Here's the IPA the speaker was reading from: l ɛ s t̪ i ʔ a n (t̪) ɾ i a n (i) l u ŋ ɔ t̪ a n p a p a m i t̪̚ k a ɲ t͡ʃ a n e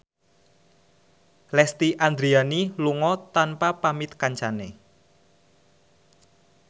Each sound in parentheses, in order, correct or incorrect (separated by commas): incorrect, correct